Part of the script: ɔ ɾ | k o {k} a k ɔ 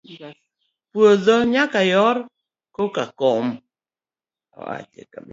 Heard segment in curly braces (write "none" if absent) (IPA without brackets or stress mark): k